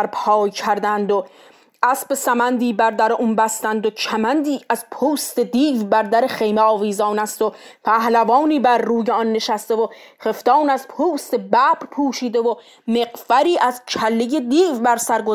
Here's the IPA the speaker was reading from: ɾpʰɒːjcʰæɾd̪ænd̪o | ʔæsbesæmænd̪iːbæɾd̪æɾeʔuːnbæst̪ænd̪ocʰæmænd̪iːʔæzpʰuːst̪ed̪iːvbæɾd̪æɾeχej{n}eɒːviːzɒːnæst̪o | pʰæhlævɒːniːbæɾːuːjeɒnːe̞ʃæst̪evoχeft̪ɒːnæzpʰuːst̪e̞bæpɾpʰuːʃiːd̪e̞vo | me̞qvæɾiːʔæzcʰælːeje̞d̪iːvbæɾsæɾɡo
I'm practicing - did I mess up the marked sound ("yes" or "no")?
yes